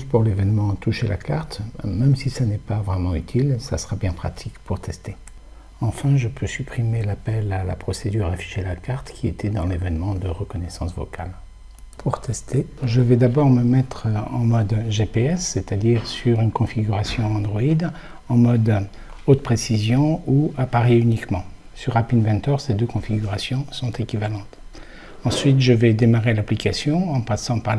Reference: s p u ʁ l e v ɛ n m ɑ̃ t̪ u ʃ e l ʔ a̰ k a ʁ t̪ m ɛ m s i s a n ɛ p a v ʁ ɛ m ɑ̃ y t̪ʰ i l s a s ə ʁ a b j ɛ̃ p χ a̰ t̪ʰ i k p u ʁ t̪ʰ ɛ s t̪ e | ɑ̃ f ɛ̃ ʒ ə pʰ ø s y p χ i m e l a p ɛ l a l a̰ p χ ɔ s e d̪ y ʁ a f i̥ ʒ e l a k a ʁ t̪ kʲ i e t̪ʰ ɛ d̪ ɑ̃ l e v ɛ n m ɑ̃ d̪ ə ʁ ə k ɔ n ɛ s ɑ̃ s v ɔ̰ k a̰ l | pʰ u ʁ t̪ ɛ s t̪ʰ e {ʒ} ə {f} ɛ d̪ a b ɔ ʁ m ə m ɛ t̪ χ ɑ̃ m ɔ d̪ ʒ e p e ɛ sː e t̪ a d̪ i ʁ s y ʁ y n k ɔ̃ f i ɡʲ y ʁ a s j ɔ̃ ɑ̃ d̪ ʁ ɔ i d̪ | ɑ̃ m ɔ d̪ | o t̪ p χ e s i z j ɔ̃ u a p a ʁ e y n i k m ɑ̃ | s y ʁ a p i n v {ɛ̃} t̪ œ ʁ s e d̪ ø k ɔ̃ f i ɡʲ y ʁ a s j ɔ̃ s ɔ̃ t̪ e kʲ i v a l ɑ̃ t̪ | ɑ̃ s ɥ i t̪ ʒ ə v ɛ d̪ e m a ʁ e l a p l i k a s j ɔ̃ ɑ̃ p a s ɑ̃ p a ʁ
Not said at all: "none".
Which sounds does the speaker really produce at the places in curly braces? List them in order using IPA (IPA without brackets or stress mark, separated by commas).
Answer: ʒ, v, ɛ̃